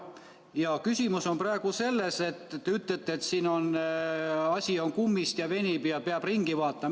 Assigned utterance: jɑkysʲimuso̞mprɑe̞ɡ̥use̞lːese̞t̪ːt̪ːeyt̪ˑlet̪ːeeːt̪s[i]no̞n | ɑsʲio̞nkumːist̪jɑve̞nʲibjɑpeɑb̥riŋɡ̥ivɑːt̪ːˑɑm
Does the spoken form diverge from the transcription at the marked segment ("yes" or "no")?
yes